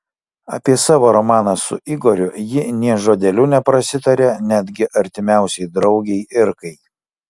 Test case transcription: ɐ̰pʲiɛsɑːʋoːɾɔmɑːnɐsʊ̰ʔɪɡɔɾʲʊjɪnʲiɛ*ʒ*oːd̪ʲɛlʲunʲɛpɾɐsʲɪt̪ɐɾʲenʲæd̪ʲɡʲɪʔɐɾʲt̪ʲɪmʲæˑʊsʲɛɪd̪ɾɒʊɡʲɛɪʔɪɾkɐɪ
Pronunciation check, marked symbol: correct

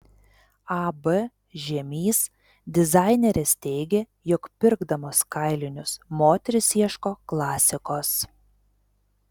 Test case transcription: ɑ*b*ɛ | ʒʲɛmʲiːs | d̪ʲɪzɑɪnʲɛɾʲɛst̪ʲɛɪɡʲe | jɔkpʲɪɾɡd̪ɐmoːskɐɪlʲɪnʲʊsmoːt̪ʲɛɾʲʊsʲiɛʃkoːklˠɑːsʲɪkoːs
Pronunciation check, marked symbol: correct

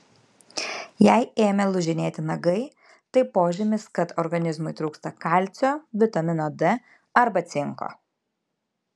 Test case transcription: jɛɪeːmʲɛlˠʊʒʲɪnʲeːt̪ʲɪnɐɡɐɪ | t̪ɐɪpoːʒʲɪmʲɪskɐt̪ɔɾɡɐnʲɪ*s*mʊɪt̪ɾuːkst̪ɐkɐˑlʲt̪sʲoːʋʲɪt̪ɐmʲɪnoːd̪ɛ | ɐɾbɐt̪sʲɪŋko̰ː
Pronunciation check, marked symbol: incorrect: z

